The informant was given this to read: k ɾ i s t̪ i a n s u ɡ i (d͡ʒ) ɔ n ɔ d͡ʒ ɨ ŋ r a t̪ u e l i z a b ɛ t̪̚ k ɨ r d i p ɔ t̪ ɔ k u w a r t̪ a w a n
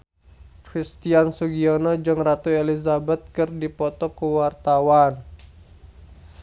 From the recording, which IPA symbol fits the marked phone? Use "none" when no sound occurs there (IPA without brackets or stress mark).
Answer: none